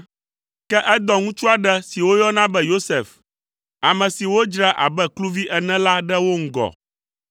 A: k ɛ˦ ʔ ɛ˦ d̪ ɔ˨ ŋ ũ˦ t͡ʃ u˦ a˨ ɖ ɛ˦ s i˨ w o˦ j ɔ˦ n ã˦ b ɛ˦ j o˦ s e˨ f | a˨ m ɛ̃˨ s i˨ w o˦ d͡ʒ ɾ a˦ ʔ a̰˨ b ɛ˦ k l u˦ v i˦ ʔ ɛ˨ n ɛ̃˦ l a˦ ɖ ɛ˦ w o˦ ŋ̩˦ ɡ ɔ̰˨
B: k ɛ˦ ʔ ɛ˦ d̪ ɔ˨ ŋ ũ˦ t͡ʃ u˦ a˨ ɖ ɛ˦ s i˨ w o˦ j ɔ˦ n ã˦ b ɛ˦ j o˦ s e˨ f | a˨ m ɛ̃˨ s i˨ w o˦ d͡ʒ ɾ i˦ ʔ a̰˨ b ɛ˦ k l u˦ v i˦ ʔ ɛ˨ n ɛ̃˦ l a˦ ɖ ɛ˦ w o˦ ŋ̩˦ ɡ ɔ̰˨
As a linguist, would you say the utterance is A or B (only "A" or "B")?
A